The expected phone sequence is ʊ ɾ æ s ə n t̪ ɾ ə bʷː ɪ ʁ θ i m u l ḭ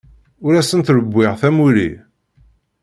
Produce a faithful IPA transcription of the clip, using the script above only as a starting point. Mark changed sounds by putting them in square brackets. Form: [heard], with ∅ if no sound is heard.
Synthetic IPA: ʊ ɾ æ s ə n t̪ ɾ ə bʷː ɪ ʁ θ [æ] m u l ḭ

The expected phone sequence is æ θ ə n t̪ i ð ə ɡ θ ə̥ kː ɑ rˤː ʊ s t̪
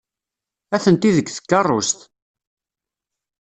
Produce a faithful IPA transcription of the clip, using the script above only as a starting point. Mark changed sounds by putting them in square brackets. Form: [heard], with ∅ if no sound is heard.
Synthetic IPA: æ θ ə n t̪ i ð ə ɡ θ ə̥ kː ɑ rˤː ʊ s t̪

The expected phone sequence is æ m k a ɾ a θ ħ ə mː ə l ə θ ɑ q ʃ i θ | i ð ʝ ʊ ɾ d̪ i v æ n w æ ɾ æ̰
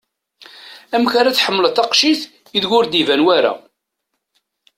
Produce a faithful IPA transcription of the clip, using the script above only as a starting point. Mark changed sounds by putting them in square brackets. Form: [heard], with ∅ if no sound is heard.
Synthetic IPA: æ m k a ɾ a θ ħ ə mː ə l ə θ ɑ q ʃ i θ | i ð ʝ ʊ ɾ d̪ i v æ n w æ ɾ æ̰

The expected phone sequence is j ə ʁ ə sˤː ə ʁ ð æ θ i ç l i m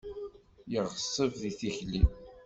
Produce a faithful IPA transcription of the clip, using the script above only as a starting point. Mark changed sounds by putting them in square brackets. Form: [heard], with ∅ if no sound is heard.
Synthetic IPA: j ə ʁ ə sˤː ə [v] ð [i] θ i ç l i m

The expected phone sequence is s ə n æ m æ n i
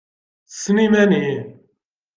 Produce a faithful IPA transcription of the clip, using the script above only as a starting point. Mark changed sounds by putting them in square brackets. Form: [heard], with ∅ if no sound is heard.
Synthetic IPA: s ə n [i] m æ n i

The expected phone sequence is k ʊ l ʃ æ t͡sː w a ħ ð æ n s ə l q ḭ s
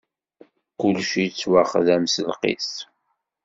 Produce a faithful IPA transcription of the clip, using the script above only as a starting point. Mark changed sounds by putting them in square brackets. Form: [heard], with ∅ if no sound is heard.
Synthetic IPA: k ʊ l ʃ [i] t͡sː w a [χ] ð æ [m] s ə l q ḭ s

